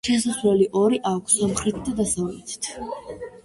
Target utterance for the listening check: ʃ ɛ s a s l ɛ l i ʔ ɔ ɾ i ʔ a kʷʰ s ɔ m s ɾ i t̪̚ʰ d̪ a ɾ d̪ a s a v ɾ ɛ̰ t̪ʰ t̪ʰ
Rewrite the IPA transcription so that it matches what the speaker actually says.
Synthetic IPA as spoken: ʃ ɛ s a s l ɛ l i ʔ ɔ ɾ i ʔ a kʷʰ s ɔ m χ ɾ i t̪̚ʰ d̪ a d̪ a s a v l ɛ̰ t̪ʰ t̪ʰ